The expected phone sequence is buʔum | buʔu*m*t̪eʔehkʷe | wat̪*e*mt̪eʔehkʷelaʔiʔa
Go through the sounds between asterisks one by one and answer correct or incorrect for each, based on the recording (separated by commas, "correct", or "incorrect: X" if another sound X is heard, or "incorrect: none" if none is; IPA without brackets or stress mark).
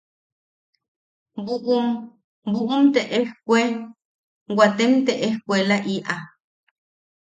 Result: correct, correct